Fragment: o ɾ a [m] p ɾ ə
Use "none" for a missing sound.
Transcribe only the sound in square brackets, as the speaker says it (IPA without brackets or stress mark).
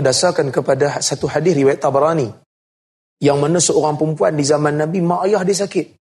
ŋ